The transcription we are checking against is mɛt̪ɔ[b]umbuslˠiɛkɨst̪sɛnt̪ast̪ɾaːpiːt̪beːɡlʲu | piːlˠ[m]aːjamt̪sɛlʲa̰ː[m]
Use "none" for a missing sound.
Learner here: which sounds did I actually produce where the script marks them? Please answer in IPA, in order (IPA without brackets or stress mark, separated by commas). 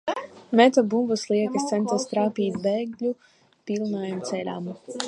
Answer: b, n, m